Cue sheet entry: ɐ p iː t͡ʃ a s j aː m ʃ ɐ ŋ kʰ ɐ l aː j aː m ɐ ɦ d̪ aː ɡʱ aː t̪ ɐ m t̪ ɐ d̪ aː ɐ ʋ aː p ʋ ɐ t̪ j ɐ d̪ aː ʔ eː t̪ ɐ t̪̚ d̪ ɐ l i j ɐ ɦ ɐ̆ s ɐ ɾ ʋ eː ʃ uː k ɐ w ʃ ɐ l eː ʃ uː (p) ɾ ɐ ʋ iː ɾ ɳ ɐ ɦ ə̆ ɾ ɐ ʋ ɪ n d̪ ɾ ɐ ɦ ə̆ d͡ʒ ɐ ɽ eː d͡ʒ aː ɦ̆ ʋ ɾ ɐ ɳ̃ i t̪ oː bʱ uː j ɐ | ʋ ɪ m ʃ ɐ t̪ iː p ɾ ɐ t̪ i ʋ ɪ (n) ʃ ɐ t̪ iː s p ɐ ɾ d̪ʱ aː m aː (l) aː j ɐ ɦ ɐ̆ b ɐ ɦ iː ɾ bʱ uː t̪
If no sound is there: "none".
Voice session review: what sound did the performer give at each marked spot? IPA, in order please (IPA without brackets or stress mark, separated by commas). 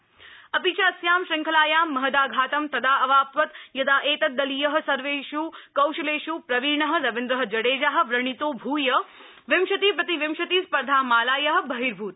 p, m, l